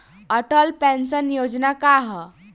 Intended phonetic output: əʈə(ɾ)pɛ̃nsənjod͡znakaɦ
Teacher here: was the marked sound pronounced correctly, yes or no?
no